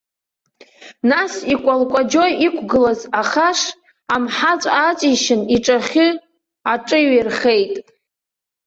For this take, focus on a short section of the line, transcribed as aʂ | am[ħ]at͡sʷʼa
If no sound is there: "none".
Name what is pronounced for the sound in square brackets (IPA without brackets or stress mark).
ħ